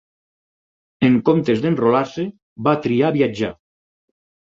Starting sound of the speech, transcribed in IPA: e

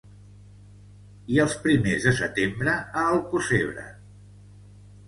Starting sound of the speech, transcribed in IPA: i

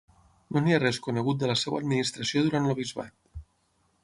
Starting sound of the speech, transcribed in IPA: n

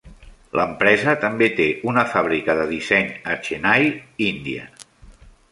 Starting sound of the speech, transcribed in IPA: l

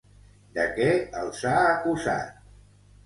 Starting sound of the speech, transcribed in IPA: d̪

